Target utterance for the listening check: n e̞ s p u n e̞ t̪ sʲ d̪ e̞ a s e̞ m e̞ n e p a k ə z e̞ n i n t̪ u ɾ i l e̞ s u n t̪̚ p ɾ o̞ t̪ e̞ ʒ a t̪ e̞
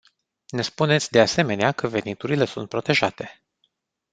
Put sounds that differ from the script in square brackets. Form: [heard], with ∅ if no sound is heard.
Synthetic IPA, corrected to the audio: n e̞ s p u n e̞ t̪ sʲ d̪ e̞ a s e̞ m e̞ n e [∅] a k ə [v] e̞ n i [∅] t̪ u ɾ i l e̞ s u n t̪̚ p ɾ o̞ t̪ e̞ ʒ a t̪ e̞